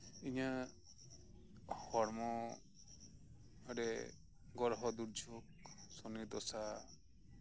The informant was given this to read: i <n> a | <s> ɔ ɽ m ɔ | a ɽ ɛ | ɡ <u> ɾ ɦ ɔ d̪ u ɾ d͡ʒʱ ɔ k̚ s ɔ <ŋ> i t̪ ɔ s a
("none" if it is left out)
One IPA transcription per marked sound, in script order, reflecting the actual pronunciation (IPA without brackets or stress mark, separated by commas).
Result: ɲ, h, ɔ, n